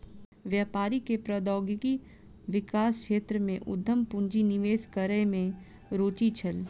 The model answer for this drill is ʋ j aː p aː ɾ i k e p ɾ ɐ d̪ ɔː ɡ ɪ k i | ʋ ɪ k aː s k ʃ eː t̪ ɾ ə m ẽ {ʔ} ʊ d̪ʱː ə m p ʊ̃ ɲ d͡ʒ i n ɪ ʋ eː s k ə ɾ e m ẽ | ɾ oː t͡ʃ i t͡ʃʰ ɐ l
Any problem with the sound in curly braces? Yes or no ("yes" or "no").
no